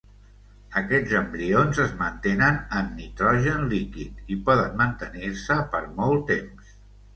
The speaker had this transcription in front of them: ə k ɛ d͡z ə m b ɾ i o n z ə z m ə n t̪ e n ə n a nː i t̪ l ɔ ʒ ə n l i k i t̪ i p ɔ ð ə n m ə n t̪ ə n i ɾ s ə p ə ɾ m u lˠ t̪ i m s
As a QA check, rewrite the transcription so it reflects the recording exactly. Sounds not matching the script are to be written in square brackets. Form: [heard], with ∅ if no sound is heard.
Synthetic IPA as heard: ə k ɛ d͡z ə m b ɾ i o n z ə z m ə n t̪ e n ə n [ə] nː i t̪ [ɾ] ɔ ʒ ə n l i k i t̪ i p ɔ ð ə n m ə n t̪ ə n i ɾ s ə p ə ɾ m [ɔ] lˠ t̪ [e] m s

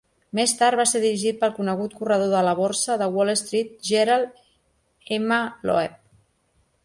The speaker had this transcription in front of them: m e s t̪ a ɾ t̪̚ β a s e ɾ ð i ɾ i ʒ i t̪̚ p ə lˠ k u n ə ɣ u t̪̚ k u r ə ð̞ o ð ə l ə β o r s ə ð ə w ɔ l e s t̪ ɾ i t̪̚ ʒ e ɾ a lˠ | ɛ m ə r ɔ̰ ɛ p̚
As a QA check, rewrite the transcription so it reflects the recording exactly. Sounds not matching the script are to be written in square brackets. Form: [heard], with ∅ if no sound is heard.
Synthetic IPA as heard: m e s t̪ a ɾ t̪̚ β a s e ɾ ð i ɾ i ʒ i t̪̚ p ə lˠ k u n ə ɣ u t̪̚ k u r ə ð̞ o ð ə l ə β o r s ə ð ə w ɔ l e s t̪ ɾ i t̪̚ ʒ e ɾ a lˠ | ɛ m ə [l] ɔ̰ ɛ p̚

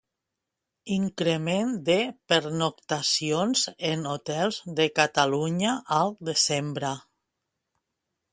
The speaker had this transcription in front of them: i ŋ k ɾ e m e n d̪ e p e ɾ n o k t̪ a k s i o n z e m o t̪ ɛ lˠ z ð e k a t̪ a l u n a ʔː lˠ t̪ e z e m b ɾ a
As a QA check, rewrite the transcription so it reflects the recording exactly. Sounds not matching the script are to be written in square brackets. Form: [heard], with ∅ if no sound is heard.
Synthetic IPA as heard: i ŋ k ɾ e m e n d̪ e p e ɾ n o k t̪ a [∅] s i o n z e [n] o t̪ ɛ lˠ z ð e k a t̪ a l u [ɲ] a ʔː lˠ [d̪] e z e m b ɾ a

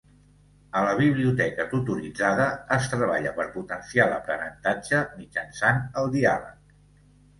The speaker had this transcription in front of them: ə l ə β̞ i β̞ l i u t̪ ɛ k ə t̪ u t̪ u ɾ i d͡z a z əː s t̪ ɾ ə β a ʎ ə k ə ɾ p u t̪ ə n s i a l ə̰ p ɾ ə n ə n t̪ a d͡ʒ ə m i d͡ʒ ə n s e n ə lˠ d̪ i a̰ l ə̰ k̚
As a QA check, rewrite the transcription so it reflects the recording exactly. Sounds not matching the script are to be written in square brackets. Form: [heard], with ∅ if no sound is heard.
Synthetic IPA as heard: ə l ə β̞ i β̞ l i u t̪ ɛ k ə t̪ u t̪ u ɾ i d͡z a [ð] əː s t̪ ɾ ə β a ʎ ə [p] ə ɾ p u t̪ ə n s i a l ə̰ p ɾ ə n ə n t̪ a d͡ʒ ə m i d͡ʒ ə n s [a] n ə lˠ d̪ i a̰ l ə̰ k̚

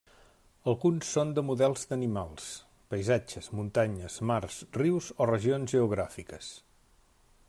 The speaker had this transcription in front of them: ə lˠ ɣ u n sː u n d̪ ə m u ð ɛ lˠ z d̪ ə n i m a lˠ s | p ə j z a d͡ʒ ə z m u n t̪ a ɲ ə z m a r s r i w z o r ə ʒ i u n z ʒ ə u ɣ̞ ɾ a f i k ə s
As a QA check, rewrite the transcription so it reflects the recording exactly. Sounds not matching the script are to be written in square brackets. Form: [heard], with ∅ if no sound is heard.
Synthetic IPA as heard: ə lˠ ɣ u n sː [o] n d̪ ə m u ð ɛ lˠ z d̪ ə n i m a lˠ s | p ə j z a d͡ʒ ə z m u n t̪ a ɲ ə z m a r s r i w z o r ə ʒ i [o] n z ʒ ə u ɣ̞ ɾ a f i k ə s

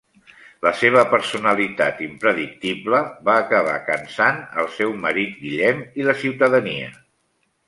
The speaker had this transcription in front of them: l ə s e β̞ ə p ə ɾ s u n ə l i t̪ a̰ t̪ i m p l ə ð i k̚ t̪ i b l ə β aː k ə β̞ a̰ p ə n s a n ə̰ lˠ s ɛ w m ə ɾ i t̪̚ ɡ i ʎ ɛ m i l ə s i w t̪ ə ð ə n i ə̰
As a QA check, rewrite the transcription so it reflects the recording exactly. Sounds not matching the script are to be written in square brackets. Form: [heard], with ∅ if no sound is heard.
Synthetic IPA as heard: l ə s e β̞ ə p ə ɾ s u n ə l i t̪ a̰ t̪ i m p [ɾ] ə ð i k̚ t̪ i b l ə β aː k ə β̞ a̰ [k] ə n s a n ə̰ lˠ s ɛ w m ə ɾ i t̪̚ ɡ i ʎ ɛ m i l ə s i w t̪ ə ð ə n i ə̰

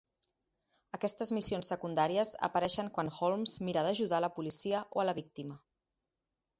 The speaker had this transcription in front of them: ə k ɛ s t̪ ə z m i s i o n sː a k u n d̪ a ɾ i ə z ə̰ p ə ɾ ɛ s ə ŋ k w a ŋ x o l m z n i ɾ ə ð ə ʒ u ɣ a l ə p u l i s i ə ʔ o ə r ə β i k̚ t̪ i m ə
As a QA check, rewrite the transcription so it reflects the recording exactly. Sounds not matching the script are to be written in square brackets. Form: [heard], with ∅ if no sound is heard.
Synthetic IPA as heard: ə k ɛ s t̪ ə z m i s i o n sː [ə] k u n d̪ a ɾ i ə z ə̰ p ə ɾ ɛ [ʃ] ə ŋ k w a [n] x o l m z [m] i ɾ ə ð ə ʒ u [ð] a l ə p u l i s i ə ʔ o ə [l] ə β i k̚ t̪ i m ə

